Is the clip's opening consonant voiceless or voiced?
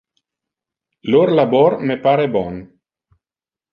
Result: voiced